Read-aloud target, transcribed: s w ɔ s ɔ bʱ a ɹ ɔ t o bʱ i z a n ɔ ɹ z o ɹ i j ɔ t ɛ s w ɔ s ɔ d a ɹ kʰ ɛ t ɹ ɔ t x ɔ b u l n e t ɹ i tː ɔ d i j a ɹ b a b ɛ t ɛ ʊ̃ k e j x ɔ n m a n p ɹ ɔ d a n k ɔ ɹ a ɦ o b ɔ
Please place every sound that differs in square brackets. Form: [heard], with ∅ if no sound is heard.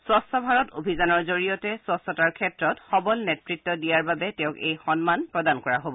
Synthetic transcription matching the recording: s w ɔ s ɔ bʱ a ɹ ɔ t o bʱ i z a n ɔ ɹ z o ɹ i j ɔ t ɛ s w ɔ s ɔ [t] a ɹ kʰ ɛ t ɹ ɔ t x ɔ b [ɔ] l n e t ɹ i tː ɔ d i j a ɹ b a b ɛ t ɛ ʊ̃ k e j x ɔ n m a n p ɹ ɔ d a n k ɔ ɹ a ɦ o b ɔ